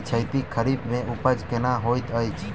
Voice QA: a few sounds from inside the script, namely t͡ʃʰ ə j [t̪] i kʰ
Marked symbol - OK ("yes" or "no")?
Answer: yes